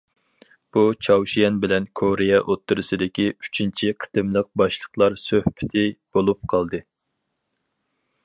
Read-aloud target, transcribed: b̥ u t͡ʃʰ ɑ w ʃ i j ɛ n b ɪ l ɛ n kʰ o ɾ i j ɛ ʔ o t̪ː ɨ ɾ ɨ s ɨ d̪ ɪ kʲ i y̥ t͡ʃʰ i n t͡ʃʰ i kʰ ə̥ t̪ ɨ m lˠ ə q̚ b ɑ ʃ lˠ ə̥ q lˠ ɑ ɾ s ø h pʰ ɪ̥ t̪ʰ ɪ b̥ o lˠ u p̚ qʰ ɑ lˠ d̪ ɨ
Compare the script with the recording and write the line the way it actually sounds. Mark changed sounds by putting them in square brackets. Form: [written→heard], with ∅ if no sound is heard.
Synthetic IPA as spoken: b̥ u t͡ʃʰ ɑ w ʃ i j ɛ n b ɪ l ɛ n kʰ o ɾ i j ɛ ʔ o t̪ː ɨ ɾ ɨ s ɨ d̪ ɪ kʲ i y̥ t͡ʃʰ i n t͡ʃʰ i [kʰ→qʰ] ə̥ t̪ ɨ m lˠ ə q̚ b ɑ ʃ lˠ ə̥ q lˠ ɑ ɾ s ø h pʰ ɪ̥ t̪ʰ ɪ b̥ o lˠ u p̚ qʰ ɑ lˠ d̪ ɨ